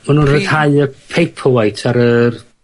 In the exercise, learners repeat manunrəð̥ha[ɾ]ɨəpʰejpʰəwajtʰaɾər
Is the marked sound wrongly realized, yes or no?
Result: yes